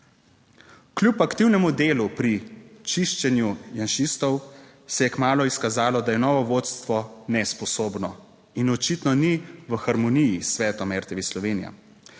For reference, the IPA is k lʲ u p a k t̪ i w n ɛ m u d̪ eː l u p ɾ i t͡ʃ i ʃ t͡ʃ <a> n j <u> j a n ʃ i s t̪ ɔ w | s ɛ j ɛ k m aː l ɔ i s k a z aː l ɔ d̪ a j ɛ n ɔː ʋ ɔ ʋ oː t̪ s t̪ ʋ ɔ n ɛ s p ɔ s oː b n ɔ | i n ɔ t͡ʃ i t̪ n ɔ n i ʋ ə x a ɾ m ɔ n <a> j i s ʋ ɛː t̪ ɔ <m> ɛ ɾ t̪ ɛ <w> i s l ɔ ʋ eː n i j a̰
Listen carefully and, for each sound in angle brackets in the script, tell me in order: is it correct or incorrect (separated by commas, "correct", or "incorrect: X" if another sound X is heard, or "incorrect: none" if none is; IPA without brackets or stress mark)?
incorrect: ɛ, correct, incorrect: i, correct, incorrect: ʋ